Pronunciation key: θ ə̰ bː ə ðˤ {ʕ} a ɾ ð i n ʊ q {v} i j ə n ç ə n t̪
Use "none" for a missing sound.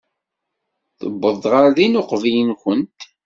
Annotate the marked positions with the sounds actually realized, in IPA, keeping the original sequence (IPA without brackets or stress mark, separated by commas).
ʁ, v